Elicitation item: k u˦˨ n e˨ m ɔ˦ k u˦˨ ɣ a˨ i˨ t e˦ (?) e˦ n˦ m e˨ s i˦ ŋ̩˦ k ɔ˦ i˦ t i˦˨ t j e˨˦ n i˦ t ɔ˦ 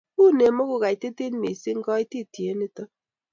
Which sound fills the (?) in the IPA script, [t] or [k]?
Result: t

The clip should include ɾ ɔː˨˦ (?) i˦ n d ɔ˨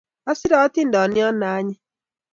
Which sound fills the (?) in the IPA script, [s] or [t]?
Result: t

